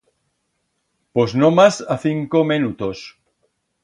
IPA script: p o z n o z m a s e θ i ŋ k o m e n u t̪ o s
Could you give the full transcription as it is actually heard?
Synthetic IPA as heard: p o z n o m a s a θ i ŋ k o m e n u t̪ o s